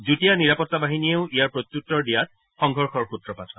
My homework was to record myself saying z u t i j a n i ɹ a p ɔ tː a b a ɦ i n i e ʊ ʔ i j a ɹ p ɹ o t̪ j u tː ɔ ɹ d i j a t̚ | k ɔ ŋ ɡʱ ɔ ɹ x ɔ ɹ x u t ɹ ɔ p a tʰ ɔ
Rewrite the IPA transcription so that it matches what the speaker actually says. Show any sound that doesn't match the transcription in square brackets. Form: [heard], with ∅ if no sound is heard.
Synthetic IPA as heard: z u t i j a n i ɹ a p ɔ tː a b a ɦ i n i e ʊ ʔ i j a ɹ p ɹ o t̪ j u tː ɔ ɹ d i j a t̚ | [x] ɔ ŋ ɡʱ ɔ ɹ x ɔ ɹ x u t ɹ ɔ p a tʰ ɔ